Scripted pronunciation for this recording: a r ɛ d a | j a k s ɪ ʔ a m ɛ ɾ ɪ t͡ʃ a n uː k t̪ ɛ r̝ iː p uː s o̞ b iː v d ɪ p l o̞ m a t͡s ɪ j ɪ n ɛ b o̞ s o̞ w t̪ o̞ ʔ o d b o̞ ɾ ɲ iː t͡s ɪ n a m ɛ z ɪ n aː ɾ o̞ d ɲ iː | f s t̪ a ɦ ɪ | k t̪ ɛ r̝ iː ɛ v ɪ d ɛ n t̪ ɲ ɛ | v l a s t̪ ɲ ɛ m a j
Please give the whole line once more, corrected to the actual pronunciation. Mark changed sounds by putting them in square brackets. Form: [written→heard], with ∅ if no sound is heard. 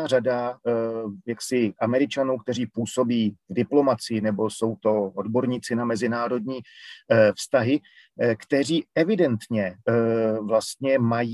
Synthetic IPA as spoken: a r [ɛ→a] d a | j a k s ɪ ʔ a m ɛ ɾ ɪ t͡ʃ a n uː k t̪ ɛ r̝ iː p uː s o̞ b iː v d ɪ p l o̞ m a t͡s ɪ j ɪ n ɛ b o̞ s o̞ w t̪ o̞ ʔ o d b o̞ ɾ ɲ iː t͡s ɪ n a m ɛ z ɪ n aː ɾ o̞ d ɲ iː | f s t̪ a ɦ ɪ | k t̪ ɛ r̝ iː ɛ v ɪ d ɛ n t̪ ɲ ɛ | v l a s t̪ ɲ ɛ m a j